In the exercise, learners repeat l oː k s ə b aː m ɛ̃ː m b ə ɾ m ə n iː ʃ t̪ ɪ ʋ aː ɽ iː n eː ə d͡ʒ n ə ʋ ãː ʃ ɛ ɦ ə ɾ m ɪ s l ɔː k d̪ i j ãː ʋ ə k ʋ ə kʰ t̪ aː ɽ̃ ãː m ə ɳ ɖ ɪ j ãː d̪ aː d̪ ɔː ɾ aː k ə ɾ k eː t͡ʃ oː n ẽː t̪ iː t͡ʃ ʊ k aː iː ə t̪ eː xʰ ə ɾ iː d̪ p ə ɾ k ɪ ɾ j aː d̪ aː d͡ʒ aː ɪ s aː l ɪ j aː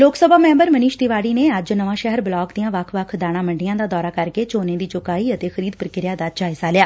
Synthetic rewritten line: l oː k s ə b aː m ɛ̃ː m b ə ɾ m ə n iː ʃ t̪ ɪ ʋ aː ɽ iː n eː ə d͡ʒ n ə ʋ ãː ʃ ɛ ɦ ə ɾ b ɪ l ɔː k d̪ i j ãː ʋ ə kʰ ʋ ə kʰ d̪ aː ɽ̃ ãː m ə ɳ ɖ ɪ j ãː d̪ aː d̪ ɔː ɾ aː k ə ɾ k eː t͡ʃ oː n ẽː d̪ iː t͡ʃ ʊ k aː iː ə t̪ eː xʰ ə ɾ iː d̪ p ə ɾ k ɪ ɾ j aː d̪ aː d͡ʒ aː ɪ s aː l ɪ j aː